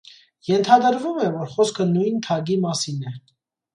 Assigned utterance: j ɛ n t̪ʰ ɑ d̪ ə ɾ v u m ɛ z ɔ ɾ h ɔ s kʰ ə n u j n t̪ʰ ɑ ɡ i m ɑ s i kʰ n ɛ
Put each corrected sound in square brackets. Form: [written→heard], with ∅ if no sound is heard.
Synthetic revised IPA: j ɛ n t̪ʰ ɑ d̪ ə ɾ v u m ɛ [z→v] ɔ ɾ [h→χ] ɔ s kʰ ə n u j n t̪ʰ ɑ ɡ i m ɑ s i [kʰ→∅] n ɛ